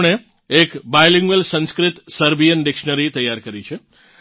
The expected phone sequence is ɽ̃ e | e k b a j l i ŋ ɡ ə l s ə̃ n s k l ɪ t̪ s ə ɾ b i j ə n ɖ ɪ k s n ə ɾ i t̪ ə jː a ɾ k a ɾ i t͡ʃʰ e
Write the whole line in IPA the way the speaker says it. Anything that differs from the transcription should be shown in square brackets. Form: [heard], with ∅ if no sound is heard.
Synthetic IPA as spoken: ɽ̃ e | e k b a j l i ŋ ɡ ə l s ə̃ n s k [ɾ] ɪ t̪ s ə ɾ b i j ə n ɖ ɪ k [ʃ] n ə ɾ i t̪ ə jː a ɾ k [ə] ɾ i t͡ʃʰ e